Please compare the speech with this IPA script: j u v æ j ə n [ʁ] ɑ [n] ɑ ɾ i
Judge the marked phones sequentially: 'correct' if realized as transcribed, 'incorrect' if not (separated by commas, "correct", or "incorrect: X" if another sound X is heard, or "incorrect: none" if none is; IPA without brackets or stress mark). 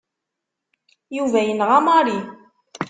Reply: correct, incorrect: m